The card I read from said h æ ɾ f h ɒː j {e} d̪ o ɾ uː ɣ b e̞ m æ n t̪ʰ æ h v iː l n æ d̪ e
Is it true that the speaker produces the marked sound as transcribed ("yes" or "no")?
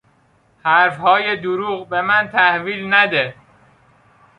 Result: yes